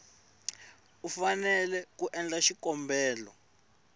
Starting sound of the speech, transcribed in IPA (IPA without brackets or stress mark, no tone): u